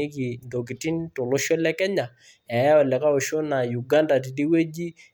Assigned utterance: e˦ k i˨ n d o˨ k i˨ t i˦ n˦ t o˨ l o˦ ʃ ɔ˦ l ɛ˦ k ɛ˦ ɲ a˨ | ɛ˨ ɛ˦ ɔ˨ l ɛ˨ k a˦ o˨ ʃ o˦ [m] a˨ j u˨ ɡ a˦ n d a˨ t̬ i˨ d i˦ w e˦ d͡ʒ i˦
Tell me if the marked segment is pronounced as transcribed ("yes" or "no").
no